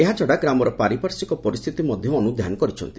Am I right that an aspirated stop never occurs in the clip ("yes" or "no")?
no